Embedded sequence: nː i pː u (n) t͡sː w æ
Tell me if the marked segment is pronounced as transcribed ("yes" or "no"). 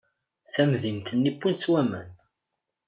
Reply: yes